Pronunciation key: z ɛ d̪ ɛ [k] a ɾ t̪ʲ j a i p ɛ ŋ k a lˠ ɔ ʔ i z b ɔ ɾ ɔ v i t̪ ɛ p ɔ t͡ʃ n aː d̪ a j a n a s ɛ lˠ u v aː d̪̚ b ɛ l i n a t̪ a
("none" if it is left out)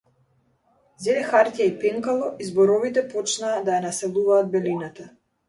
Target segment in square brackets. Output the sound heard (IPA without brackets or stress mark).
x